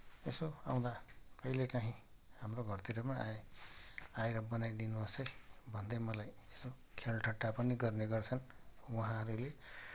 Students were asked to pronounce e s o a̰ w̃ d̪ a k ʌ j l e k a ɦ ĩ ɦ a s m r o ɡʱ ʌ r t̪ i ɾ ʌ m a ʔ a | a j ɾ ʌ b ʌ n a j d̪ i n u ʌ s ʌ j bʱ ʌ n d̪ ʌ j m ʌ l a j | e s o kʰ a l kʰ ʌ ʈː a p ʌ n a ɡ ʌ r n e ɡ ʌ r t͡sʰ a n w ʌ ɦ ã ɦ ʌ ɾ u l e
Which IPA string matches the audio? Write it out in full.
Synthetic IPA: e s o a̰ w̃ d̪ a k ʌ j l e k a ɦ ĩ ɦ a m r o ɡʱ ʌ r t̪ i ɾ ʌ m a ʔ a | a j ɾ ʌ b ʌ n a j d̪ i n u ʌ s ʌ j bʱ ʌ n d̪ ʌ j m ʌ l a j | e s o kʰ e l ʈʰ ʌ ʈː a p ʌ n i ɡ ʌ r n e ɡ ʌ r t͡sʰ ʌ n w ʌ ɦ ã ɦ ʌ ɾ u l e